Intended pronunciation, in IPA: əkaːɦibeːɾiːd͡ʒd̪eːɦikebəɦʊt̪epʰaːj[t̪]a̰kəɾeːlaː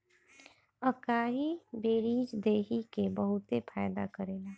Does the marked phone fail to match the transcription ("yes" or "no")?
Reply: yes